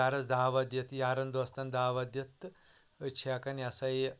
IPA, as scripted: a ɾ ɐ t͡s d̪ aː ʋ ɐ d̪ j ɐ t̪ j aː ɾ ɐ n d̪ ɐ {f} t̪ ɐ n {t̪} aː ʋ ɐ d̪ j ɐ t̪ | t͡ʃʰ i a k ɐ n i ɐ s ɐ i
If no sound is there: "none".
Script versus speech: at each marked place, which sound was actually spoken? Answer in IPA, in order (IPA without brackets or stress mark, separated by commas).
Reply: s, d̪